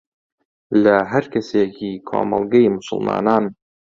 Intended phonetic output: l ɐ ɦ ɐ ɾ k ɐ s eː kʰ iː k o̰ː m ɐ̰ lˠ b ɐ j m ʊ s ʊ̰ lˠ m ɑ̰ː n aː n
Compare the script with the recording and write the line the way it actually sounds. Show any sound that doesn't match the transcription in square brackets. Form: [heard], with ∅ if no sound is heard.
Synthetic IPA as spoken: l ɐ ɦ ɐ ɾ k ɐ s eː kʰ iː [kʰ] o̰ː m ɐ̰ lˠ [ɡ] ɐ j m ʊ s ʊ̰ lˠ m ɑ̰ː n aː n